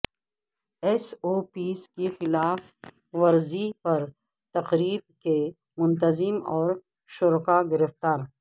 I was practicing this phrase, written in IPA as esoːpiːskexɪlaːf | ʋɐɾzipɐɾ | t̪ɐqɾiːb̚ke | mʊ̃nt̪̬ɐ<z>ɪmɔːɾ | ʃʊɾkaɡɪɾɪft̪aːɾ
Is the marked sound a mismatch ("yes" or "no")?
no